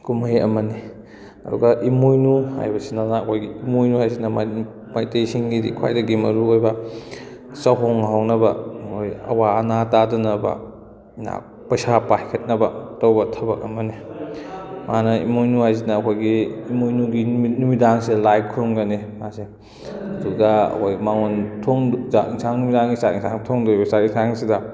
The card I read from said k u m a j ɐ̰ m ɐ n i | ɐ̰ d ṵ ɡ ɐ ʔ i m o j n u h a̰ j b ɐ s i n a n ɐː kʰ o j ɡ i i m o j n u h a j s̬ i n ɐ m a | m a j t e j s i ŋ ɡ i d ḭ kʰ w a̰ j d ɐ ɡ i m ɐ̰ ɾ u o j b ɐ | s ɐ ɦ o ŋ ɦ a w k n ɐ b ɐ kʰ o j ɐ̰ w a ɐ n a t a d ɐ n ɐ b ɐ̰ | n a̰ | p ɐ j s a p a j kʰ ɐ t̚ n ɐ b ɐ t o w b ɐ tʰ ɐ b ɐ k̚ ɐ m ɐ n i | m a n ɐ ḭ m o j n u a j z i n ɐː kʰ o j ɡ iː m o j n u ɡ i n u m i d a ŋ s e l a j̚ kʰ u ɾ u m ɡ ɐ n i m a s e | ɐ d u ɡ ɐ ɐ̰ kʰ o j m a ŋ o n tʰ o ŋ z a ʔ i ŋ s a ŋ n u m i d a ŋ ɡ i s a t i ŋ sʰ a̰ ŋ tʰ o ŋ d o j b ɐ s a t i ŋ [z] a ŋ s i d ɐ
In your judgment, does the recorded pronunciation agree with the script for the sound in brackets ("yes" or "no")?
no